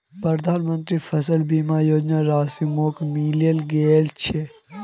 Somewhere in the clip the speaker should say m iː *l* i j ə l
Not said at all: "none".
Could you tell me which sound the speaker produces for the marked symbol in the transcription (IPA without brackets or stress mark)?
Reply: l